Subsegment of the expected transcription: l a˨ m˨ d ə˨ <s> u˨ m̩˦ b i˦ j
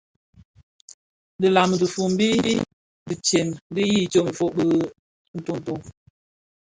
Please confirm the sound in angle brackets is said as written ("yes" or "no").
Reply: no